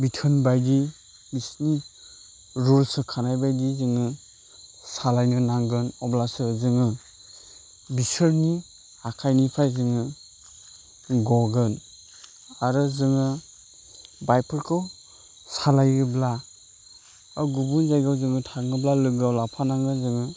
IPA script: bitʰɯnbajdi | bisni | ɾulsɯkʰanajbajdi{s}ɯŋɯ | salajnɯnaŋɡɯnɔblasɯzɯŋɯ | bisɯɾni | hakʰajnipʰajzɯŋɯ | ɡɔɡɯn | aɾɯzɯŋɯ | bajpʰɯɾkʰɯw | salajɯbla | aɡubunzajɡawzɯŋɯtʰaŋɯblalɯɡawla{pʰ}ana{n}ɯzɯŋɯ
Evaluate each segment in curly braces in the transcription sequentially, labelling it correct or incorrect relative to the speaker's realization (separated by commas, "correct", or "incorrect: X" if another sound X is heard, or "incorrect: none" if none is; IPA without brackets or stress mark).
incorrect: z, correct, incorrect: ŋ